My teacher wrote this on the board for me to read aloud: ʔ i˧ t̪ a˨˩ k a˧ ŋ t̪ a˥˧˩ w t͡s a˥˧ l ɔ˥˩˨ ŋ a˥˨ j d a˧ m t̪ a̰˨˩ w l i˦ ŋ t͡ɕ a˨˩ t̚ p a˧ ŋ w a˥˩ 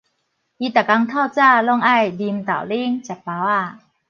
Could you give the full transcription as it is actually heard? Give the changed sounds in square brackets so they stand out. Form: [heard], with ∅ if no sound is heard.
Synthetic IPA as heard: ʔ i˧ t̪ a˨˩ k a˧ ŋ [t̪ʰ] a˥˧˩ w t͡s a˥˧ l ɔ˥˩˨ ŋ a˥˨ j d [i˧] m t̪ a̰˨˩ w l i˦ ŋ t͡ɕ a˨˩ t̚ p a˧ [∅] w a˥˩